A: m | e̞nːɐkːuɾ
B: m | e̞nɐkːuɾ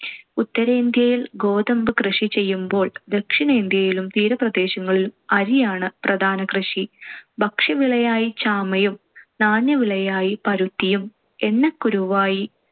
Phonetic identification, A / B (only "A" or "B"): A